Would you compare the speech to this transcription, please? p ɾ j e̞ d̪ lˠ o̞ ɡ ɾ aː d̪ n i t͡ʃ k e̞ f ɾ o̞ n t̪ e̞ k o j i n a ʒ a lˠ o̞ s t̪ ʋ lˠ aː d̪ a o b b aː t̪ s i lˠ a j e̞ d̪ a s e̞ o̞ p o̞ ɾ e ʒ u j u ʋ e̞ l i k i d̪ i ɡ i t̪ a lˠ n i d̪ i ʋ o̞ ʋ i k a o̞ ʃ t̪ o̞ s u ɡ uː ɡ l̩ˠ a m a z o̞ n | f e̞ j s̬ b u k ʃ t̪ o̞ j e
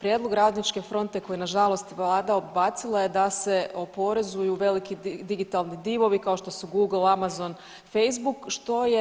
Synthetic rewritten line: p ɾ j e̞ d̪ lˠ o̞ ɡ ɾ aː d̪ n i t͡ʃ k e̞ f ɾ o̞ n t̪ e̞ k o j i n a ʒ a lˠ o̞ s t̪ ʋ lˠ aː d̪ a o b b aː t̪ s i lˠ a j e̞ d̪ a s e̞ o̞ p o̞ ɾ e z u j u ʋ e̞ l i k i d̪ i ɡ i t̪ a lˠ n i d̪ i ʋ o̞ ʋ i k a o̞ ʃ t̪ o̞ s u ɡ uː ɡ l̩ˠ a m a z o̞ n | f e̞ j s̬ b u k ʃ t̪ o̞ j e